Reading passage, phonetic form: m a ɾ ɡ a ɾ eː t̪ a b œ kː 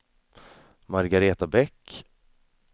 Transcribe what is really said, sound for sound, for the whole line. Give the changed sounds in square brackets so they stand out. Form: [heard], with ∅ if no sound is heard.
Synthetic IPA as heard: m a ɾ ɡ a ɾ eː t̪ a b [ɛ] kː